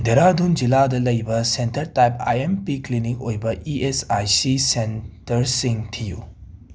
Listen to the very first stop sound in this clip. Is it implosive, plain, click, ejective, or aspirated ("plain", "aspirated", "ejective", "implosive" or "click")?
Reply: plain